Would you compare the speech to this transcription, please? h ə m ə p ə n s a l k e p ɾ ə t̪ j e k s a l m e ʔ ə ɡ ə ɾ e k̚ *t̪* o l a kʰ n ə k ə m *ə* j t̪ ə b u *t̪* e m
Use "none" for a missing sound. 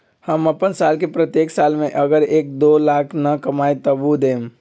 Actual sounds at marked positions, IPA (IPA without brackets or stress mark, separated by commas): d̪, a, d̪